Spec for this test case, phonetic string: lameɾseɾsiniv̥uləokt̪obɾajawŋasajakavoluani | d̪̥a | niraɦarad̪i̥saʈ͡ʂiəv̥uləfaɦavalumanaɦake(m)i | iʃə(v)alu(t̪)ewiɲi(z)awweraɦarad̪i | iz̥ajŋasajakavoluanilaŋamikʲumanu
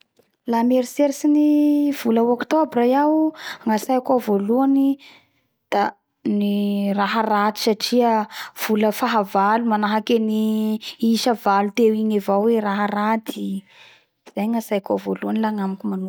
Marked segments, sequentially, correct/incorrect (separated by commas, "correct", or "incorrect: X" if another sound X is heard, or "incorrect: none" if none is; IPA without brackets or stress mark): incorrect: n, correct, correct, incorrect: v